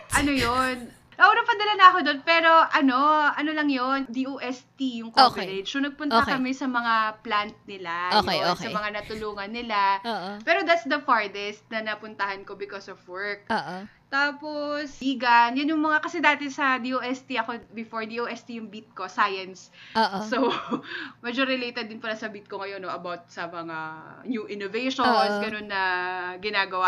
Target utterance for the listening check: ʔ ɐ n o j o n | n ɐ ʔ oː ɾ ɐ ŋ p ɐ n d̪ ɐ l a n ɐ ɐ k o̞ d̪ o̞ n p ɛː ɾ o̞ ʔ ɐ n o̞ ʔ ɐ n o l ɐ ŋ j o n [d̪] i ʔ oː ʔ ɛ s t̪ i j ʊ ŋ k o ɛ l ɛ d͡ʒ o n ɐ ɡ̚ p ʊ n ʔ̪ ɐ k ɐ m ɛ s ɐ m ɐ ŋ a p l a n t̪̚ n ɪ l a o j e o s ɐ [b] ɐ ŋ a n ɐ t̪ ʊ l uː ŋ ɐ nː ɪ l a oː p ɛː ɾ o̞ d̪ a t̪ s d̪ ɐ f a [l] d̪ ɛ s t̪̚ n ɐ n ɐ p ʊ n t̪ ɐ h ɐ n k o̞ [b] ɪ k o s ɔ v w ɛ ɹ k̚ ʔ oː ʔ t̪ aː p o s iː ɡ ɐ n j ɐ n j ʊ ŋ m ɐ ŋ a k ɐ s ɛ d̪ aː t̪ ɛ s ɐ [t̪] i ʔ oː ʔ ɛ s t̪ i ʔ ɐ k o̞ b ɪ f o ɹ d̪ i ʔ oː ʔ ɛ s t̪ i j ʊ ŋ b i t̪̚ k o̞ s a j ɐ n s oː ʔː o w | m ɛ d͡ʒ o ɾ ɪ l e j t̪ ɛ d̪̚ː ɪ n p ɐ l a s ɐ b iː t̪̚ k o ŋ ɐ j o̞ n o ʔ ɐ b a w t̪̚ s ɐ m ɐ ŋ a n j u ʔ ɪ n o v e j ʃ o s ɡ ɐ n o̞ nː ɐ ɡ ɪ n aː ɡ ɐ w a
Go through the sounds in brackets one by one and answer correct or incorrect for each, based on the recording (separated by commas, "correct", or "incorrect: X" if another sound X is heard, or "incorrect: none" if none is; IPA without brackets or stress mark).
correct, incorrect: m, incorrect: ɹ, correct, incorrect: d̪